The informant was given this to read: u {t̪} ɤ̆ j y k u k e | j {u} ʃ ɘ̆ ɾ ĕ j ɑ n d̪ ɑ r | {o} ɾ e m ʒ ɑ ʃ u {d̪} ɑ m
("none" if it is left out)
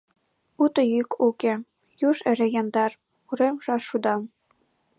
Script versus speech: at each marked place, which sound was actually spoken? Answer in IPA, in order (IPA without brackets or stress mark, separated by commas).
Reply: t̪, u, u, d̪